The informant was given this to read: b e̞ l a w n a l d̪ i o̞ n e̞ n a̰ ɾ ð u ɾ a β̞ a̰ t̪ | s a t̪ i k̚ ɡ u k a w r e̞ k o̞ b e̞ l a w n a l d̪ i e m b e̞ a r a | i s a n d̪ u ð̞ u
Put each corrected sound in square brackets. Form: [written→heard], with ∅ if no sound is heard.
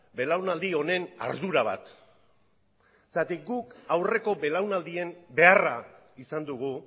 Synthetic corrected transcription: b e̞ l a w n a l d̪ i o̞ n e̞ n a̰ ɾ ð u ɾ a β̞ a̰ t̪ | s a t̪ i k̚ ɡ u k a w r e̞ k o̞ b e̞ l a w n a l d̪ i e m b e̞ a r a | i s a n d̪ u [ð̞→ɣ̞] u